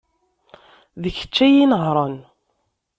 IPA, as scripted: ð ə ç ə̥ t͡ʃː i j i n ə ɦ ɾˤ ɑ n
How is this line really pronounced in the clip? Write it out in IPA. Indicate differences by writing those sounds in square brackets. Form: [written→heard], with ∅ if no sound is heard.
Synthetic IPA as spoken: ð ə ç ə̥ t͡ʃː [i→æ] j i n ə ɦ ɾˤ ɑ n